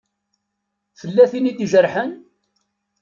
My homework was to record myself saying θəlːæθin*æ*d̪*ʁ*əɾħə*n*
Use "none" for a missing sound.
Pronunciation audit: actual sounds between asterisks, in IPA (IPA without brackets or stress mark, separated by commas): i, ʒ, n